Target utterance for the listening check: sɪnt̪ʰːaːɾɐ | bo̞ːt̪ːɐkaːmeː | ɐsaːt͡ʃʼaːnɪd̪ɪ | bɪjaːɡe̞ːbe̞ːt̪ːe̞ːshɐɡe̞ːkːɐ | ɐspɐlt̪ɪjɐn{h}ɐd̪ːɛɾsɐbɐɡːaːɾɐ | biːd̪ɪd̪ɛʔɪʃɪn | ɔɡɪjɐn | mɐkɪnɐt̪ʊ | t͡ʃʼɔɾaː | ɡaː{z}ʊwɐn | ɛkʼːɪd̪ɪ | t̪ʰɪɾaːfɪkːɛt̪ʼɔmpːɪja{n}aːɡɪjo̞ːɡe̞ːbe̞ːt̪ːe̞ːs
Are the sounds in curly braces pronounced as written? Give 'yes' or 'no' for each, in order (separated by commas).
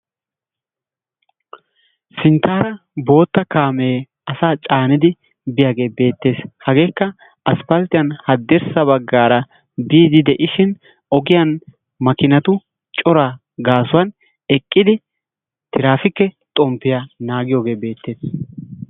yes, no, yes